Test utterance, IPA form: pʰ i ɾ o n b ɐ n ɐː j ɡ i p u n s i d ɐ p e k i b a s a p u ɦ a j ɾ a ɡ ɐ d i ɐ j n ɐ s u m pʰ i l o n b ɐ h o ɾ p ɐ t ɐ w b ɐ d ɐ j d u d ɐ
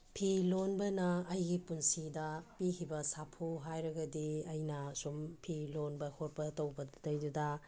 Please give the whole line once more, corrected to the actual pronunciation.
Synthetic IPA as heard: pʰ i l o n b ɐ n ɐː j ɡ i p u n s i d ɐ p i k i b ɐ s a pʰ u ɦ a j ɾ ɐ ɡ ɐ d i ɐ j n ɐ s u m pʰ i l o n b ɐ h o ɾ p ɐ t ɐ w b ɐ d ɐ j d u d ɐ